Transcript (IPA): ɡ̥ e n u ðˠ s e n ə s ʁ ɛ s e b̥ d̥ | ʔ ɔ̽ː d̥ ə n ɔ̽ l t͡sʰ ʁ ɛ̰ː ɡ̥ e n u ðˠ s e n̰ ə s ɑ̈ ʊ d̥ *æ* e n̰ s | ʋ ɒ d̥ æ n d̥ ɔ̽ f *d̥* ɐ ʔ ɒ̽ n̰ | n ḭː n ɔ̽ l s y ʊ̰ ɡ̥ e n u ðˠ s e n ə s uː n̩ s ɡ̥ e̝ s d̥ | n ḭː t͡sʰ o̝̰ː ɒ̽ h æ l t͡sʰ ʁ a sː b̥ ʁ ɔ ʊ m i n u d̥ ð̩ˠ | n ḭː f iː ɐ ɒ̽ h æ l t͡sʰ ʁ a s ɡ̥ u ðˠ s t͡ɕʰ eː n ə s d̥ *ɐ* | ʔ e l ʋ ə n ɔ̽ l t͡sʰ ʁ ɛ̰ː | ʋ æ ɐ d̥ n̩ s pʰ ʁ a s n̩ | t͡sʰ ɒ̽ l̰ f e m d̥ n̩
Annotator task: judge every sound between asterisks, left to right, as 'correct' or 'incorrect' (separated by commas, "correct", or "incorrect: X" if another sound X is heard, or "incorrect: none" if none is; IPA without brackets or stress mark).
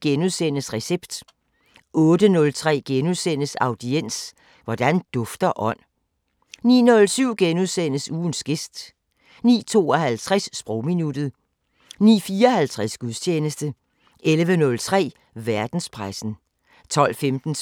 incorrect: i, correct, incorrect: ə